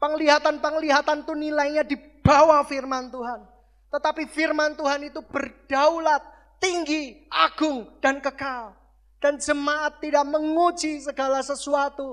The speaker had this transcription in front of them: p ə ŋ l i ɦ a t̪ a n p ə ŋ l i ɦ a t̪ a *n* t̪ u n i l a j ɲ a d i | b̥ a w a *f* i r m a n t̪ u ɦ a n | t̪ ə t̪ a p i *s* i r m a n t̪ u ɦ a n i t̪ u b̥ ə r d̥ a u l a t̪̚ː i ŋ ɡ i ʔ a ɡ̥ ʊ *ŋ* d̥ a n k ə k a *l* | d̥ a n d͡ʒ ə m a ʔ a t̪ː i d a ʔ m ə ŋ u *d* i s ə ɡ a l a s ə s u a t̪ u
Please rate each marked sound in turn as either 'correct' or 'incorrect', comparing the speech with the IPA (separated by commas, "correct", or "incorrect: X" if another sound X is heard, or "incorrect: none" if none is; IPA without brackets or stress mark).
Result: correct, correct, incorrect: f, correct, correct, incorrect: d͡ʒ